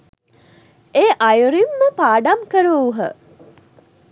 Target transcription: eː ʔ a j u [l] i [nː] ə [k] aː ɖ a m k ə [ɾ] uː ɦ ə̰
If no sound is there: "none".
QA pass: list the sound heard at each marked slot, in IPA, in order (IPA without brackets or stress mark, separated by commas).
ɾ, mː, p, ɾ